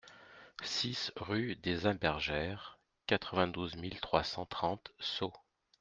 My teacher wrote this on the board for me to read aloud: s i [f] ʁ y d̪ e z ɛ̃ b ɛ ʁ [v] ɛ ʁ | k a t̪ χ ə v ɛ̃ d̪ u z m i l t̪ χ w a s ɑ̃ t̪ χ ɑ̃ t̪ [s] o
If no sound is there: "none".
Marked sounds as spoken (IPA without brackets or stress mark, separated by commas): s, ʒ, s